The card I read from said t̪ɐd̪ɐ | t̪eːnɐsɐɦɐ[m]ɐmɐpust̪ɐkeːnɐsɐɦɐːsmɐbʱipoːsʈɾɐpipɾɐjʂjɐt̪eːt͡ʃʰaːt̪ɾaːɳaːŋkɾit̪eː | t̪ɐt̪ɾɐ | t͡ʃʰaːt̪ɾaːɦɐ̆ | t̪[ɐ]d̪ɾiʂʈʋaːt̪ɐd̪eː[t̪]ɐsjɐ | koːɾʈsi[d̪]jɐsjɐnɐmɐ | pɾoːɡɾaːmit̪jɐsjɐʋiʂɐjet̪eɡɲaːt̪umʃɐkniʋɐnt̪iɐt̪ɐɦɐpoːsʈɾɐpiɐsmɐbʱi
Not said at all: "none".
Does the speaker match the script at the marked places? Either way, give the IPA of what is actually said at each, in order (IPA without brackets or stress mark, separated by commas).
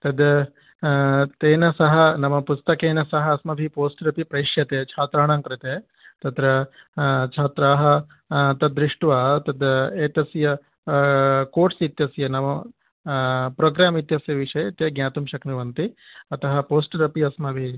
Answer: n, ɐ, t̪, t̪